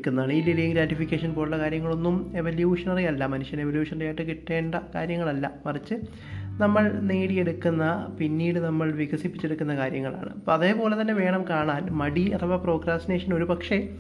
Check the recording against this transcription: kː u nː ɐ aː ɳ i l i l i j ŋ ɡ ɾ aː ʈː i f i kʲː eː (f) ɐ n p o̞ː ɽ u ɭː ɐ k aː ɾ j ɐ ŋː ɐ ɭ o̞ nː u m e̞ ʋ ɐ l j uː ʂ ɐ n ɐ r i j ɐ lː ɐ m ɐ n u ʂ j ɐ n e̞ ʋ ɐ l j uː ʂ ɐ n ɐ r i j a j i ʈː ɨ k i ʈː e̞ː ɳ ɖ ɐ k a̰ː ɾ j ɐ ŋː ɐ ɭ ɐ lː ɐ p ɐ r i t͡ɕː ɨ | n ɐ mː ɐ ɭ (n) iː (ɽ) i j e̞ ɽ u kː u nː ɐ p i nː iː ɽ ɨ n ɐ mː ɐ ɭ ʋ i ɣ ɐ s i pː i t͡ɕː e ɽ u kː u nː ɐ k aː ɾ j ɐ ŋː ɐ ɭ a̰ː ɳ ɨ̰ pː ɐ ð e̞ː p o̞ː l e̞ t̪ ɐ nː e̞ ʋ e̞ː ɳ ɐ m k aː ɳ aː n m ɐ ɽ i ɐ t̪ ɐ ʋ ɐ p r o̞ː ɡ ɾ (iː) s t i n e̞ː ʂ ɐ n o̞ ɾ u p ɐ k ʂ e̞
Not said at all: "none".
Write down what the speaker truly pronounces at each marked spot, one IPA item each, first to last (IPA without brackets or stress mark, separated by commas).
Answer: ʂ, n, ɽ, aː